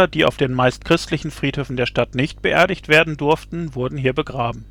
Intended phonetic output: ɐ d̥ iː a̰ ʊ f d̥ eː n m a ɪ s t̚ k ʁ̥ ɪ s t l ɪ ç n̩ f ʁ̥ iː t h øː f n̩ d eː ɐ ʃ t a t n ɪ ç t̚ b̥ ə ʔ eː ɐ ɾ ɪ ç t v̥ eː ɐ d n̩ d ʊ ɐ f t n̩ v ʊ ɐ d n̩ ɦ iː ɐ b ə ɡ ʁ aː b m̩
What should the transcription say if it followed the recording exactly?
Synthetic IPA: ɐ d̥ iː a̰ ʊ f d̥ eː n m a ɪ s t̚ k ʁ̥ ɪ s t l ɪ ç n̩ f ʁ̥ iː t h øː f n̩ d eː ɐ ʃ t a t n ɪ ç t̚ b̥ ə ʔ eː ɐ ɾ ɪ ç t v̥ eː ɐ d n̩ d ʊ ɐ f t n̩ v ʊ ɐ d n̩ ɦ iː ɐ b ə ɡ ʁ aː b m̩